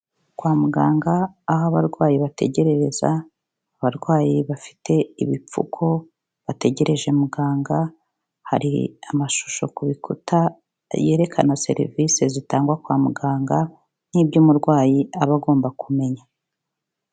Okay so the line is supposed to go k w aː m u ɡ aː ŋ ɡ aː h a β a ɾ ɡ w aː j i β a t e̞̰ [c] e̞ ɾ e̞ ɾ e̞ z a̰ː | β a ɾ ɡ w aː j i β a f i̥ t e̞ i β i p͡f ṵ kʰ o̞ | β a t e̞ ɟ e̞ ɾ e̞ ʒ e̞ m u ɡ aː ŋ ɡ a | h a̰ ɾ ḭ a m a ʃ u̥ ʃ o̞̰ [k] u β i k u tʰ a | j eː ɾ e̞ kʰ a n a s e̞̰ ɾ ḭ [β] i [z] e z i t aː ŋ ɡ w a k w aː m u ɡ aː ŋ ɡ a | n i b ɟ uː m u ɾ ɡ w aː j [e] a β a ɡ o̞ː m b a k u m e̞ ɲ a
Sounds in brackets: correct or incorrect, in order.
incorrect: ɟ, correct, incorrect: v, incorrect: s, incorrect: i

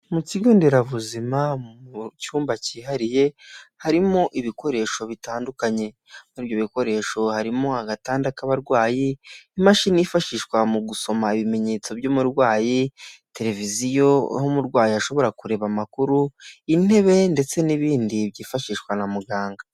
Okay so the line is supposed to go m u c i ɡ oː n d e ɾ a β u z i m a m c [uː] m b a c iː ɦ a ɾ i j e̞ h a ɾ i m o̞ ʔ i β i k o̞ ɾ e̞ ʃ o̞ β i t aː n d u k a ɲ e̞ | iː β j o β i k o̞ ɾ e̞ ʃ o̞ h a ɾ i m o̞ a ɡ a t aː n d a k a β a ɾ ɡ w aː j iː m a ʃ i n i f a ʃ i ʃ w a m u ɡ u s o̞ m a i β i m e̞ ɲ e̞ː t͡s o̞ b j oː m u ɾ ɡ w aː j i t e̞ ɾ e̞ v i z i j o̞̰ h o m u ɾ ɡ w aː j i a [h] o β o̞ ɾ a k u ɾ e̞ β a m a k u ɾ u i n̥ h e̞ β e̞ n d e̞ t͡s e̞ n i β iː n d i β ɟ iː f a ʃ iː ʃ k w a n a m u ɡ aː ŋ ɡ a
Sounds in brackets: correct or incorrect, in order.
correct, incorrect: ʃ

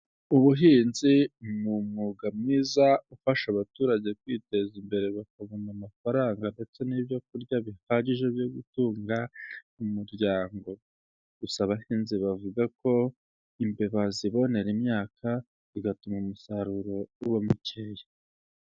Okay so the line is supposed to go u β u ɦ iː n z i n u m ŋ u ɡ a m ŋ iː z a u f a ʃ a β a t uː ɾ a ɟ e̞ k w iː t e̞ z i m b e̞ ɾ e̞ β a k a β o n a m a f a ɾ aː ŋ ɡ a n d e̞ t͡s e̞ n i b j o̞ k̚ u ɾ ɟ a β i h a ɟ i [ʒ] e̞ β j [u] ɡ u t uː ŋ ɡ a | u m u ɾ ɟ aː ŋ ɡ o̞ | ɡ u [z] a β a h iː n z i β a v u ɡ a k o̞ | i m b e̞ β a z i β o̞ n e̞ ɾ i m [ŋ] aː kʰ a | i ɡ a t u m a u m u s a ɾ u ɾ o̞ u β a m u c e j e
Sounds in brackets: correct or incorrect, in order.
correct, incorrect: o, incorrect: s, incorrect: ɲ

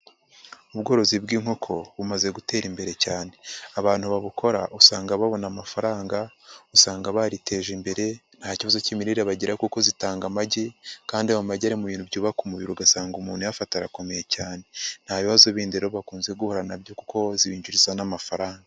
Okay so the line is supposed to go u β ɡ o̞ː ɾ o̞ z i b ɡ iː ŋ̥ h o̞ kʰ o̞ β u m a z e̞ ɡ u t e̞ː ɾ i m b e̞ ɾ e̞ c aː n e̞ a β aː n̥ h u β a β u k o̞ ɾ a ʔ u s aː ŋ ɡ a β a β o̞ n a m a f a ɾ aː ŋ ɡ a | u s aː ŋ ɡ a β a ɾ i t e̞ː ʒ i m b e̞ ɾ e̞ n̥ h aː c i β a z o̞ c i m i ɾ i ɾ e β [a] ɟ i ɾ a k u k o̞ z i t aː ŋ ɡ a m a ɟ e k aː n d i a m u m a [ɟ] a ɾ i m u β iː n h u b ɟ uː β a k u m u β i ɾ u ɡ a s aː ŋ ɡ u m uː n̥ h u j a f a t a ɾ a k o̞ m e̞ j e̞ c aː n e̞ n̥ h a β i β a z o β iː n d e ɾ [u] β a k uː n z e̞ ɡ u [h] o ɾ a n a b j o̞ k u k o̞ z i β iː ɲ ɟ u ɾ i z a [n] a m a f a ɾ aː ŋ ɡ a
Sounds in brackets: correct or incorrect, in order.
correct, correct, incorrect: o, correct, correct

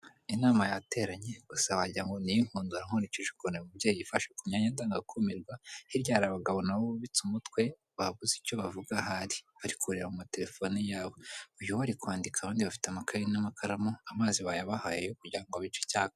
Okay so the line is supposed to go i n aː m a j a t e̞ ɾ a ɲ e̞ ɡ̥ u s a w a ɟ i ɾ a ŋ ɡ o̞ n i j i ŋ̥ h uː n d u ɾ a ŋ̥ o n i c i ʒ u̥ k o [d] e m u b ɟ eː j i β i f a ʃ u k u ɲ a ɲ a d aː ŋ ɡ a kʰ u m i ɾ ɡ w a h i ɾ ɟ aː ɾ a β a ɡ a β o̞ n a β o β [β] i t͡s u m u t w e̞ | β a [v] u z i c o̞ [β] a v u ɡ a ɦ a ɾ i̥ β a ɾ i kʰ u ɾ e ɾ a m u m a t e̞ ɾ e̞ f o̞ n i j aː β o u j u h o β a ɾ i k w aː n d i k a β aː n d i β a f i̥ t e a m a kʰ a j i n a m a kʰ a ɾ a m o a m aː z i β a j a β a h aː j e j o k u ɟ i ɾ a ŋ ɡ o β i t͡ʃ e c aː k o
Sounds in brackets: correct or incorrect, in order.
incorrect: n, correct, incorrect: β, correct

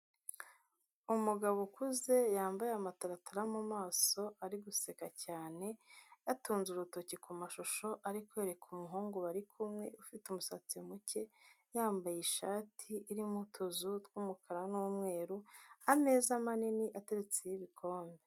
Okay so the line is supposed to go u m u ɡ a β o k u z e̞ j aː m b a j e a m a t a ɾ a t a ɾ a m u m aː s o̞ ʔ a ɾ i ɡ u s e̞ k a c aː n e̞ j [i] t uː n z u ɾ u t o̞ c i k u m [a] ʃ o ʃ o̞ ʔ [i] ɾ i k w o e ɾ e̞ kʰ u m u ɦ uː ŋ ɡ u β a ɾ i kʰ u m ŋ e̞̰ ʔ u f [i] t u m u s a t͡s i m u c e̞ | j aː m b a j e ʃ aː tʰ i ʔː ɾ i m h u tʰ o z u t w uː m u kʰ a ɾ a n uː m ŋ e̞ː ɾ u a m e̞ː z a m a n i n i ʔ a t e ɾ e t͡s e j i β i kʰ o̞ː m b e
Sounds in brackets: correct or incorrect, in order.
incorrect: a, correct, incorrect: a, correct

